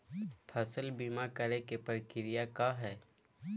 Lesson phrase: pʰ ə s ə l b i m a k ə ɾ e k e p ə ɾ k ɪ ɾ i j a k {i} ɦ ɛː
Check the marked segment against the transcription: incorrect: a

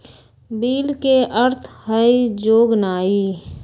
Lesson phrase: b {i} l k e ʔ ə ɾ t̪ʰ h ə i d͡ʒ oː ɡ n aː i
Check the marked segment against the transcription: incorrect: iː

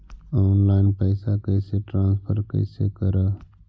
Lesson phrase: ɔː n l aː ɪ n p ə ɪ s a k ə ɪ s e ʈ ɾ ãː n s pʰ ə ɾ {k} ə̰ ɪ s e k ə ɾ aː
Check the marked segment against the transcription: correct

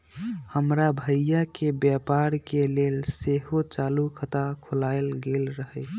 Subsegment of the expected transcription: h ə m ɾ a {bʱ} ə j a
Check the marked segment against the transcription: correct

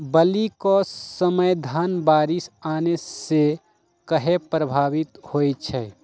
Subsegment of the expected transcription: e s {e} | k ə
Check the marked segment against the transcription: correct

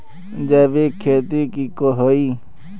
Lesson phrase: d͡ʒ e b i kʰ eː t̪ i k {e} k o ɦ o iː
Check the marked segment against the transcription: incorrect: i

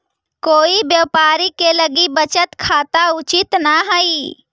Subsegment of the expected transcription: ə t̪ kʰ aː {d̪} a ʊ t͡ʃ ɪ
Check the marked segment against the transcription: incorrect: t̪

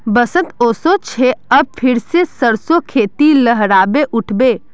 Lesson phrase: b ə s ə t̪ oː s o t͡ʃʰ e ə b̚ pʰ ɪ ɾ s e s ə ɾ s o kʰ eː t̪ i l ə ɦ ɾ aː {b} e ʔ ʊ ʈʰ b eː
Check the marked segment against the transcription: correct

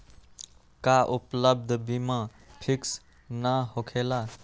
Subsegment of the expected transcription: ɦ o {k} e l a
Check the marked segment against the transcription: incorrect: kʰ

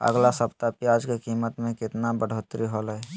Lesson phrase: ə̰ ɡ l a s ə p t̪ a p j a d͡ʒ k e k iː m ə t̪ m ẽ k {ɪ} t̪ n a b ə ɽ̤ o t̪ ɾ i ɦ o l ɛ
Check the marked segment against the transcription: correct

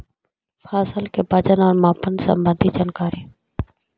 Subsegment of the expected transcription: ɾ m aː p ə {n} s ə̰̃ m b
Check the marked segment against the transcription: correct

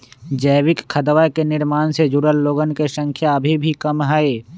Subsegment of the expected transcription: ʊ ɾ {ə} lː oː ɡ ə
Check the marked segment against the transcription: correct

